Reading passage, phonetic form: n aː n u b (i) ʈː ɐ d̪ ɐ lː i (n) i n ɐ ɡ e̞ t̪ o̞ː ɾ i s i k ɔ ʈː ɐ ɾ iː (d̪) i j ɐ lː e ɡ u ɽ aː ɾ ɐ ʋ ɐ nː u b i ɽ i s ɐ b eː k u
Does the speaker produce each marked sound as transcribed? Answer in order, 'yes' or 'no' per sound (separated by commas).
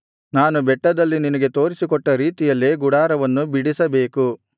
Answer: no, yes, no